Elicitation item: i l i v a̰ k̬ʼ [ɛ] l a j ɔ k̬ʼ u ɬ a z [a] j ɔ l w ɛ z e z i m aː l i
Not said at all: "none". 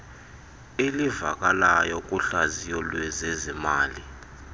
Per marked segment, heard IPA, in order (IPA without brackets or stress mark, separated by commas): a, i